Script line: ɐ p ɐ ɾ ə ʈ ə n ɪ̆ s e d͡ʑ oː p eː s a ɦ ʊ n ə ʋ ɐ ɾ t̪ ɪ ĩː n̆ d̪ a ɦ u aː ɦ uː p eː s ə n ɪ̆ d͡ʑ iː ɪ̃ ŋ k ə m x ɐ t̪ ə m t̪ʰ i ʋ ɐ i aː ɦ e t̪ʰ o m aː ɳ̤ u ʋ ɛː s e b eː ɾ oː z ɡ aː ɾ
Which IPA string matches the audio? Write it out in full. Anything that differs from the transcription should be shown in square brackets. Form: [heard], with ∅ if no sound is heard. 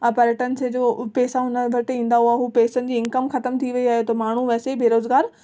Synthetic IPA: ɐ p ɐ ɾ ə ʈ ə n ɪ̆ s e d͡ʑ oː p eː s a ɦ ʊ n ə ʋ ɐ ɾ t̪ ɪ ĩː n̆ d̪ a ɦ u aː ɦ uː p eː s ə n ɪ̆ d͡ʑ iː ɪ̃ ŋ k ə m x ɐ t̪ ə m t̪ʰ i ʋ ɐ i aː ɦ e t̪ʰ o m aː ɳ̤ u ʋ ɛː s e b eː ɾ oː z ɡ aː ɾ